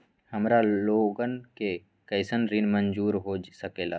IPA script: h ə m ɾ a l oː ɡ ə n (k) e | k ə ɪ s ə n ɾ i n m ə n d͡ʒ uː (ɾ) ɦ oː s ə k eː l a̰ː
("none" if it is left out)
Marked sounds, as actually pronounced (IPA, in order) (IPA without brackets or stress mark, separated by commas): k, ɾ